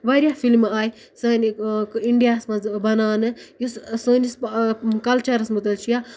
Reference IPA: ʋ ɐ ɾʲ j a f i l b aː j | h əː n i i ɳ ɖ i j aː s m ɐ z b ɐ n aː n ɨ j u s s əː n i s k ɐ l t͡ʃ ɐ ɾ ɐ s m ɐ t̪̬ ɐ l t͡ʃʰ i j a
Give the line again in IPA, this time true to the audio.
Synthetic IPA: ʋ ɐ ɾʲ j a f i l m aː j | s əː n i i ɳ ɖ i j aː s m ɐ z b ɐ n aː n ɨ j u s s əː n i s k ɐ l t͡ʃ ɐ ɾ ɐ s m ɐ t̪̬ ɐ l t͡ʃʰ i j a